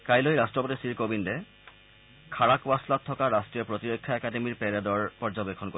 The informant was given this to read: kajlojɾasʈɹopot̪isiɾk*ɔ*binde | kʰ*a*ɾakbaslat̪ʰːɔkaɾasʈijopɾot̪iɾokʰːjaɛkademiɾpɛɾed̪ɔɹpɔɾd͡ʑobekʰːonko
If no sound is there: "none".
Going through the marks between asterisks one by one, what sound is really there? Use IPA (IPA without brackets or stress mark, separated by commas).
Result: o, a